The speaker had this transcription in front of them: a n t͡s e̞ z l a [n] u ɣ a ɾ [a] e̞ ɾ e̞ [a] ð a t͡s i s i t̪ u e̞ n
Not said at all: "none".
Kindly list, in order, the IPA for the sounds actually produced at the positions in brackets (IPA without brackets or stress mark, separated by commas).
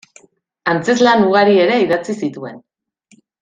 n, i, i